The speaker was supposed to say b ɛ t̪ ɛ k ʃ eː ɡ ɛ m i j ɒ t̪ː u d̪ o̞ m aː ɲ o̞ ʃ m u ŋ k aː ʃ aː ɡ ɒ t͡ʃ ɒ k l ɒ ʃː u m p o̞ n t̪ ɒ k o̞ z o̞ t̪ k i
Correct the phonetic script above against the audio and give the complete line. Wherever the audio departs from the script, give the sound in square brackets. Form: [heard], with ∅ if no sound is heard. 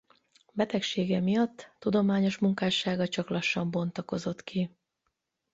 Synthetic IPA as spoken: b ɛ t̪ ɛ k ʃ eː ɡ ɛ m i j ɒ t̪ː u d̪ o̞ m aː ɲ o̞ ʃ m u ŋ k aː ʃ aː ɡ ɒ t͡ʃ ɒ k l ɒ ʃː [ɒ] m [b] o̞ n t̪ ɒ k o̞ z o̞ t̪ k i

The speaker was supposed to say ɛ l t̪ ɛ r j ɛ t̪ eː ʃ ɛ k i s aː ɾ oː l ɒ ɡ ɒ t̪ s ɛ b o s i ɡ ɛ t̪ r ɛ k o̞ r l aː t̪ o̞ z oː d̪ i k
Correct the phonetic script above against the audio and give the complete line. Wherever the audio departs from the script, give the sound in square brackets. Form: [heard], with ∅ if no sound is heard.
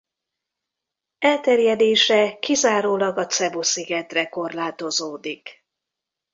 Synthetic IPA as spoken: ɛ l t̪ ɛ r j ɛ [d̪] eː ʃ ɛ k i [z] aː ɾ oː l ɒ ɡ ɒ t̪ s ɛ b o s i ɡ ɛ t̪ r ɛ k o̞ r l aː t̪ o̞ z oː d̪ i k

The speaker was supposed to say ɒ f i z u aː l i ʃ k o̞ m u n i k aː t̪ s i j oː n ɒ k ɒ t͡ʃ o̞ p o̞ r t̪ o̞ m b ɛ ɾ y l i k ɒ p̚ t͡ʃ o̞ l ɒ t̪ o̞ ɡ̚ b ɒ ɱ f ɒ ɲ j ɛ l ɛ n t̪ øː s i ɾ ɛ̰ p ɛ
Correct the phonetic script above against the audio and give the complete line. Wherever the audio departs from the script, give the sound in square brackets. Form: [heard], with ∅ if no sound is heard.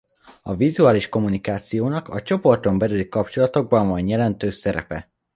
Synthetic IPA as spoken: ɒ [v] i z u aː l i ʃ k o̞ m u n i k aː t̪ s i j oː n ɒ k ɒ t͡ʃ o̞ p o̞ r t̪ o̞ m b ɛ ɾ y l i k ɒ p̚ t͡ʃ o̞ l ɒ t̪ o̞ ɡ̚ b ɒ ɱ [v] ɒ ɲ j ɛ l ɛ n t̪ øː s [ɛ] ɾ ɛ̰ p ɛ

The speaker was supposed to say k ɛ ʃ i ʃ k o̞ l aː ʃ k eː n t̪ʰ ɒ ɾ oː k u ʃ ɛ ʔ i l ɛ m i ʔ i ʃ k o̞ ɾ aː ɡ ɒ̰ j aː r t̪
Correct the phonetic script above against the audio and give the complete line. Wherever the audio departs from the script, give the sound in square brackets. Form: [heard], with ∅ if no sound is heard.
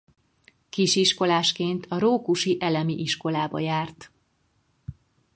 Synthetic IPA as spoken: k [i] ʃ i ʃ k o̞ l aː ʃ k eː n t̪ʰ ɒ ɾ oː k u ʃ [i] ʔ [ɛ] l ɛ m i ʔ i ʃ k o̞ [l] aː [b] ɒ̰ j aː r t̪

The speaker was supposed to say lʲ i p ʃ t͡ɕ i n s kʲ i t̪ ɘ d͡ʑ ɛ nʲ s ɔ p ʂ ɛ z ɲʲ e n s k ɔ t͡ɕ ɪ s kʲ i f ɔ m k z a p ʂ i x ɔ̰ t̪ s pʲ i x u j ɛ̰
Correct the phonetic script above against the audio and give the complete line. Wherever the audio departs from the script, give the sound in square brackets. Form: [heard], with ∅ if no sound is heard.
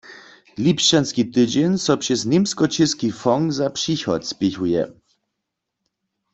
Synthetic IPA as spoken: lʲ i p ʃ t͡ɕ [a] n s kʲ i t̪ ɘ d͡ʑ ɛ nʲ s ɔ p ʂ ɛ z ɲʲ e [m] s k ɔ t͡ɕ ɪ s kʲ i f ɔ [ŋ] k z a p ʂ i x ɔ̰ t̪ s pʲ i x u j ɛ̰

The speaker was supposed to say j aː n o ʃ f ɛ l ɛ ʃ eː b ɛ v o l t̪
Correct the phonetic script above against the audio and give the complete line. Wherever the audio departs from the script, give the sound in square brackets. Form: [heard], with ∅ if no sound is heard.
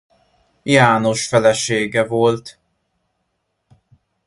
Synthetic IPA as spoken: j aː n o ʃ f ɛ l ɛ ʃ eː [ɡ] ɛ v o l t̪

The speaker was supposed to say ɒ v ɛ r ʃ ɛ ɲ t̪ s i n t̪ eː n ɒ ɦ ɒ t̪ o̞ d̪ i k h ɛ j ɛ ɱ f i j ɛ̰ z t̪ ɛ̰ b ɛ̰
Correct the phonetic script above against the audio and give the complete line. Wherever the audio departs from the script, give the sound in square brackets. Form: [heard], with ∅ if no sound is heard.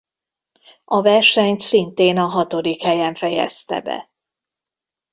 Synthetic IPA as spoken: ɒ v ɛ r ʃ ɛ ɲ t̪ s i n t̪ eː n ɒ ɦ ɒ t̪ o̞ d̪ i k h ɛ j ɛ ɱ f [ɛ] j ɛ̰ [s] t̪ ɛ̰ b ɛ̰

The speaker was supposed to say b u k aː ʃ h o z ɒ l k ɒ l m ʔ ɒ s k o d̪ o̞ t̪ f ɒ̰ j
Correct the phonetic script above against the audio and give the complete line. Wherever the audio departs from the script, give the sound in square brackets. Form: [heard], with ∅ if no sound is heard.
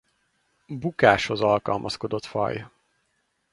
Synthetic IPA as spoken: b u k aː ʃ h o z ɒ l k ɒ l m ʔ ɒ s k o d̪ o̞ t̪ f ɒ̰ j

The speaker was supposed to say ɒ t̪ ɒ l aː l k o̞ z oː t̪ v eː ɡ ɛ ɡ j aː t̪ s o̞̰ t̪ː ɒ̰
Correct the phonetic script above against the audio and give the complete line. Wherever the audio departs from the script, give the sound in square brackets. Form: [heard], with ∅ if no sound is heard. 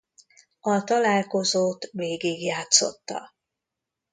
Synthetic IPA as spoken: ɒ t̪ ɒ l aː l k o̞ z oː t̪ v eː ɡ [i] ɡ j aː t̪ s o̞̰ t̪ː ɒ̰

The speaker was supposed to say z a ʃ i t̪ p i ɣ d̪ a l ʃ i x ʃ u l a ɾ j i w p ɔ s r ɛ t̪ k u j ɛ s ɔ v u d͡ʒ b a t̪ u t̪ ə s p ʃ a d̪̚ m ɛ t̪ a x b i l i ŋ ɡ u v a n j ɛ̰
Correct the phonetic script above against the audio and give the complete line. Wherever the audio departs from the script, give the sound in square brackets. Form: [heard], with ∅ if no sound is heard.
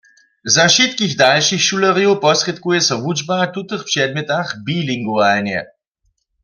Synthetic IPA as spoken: z a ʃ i t̪ [k] i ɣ d̪ a l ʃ i x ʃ u l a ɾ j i w p ɔ s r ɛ t̪ k u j ɛ s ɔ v u d͡ʒ b a t̪ u t̪ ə [x] p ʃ [ɛ] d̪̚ m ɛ t̪ a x b i l i ŋ ɡ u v a n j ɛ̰

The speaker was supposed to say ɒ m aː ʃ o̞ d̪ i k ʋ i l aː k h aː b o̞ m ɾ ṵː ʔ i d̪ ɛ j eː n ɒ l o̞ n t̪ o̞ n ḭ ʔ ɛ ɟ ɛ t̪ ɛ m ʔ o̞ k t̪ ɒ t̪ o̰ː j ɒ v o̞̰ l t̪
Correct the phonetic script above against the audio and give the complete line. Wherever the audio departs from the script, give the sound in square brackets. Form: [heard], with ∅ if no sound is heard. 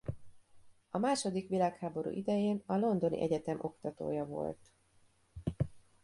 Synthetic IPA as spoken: ɒ m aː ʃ o̞ d̪ i k ʋ i l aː k h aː b o̞ [∅] ɾ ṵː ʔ i d̪ ɛ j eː n ɒ l o̞ n [d̪] o̞ n ḭ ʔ ɛ ɟ ɛ t̪ ɛ m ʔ o̞ k t̪ ɒ t̪ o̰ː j ɒ v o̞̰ l t̪

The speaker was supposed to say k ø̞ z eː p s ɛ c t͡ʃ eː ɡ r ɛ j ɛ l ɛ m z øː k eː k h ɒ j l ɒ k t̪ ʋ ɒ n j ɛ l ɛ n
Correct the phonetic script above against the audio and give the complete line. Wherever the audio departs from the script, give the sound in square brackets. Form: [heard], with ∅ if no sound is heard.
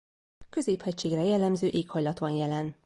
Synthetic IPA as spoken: k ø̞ z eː p [h] ɛ c t͡ʃ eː ɡ r ɛ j ɛ [lː] ɛ m z øː [ʔ] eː k h ɒ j l ɒ [∅] t̪ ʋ ɒ n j ɛ l ɛ n

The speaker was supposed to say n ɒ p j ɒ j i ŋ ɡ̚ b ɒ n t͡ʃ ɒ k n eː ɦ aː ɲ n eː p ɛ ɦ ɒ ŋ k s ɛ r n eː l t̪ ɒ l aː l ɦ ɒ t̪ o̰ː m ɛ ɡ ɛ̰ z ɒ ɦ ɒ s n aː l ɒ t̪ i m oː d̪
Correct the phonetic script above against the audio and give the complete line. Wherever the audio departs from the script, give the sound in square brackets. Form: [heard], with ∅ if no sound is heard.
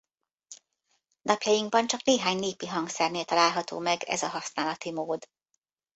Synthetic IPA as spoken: n ɒ p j ɒ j i ŋ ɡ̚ b ɒ n t͡ʃ ɒ k n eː ɦ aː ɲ n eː p [i] ɦ ɒ ŋ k s ɛ r n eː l t̪ ɒ l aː l ɦ ɒ t̪ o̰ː m ɛ ɡ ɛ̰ z ɒ ɦ ɒ s n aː l ɒ t̪ i m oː d̪

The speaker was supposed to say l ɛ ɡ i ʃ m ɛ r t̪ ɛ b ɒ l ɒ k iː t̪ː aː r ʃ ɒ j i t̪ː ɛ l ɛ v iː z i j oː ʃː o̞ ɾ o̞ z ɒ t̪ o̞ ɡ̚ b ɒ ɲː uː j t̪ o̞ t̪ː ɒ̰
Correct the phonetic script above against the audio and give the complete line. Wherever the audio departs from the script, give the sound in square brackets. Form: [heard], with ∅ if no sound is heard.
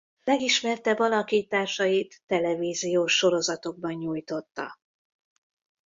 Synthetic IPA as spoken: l ɛ ɡ i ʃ m ɛ r t̪ ɛ b ɒ l ɒ k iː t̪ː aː r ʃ ɒ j i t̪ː ɛ l ɛ v iː z i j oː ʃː o̞ ɾ o̞ z ɒ t̪ o̞ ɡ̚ b ɒ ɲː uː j t̪ o̞ t̪ː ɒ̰

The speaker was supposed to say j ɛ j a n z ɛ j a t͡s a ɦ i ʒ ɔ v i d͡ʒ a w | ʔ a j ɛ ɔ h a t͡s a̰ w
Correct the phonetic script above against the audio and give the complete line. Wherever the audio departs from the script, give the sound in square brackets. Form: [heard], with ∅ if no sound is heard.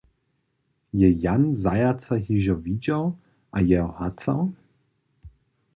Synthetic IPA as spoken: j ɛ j a n z [a] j a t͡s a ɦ i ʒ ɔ v i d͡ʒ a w | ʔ a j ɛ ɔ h a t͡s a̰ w

